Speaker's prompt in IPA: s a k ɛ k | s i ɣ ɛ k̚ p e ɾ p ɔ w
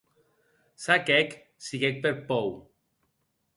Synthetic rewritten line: s a k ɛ k | s i ɣ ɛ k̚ p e ɾ p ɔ w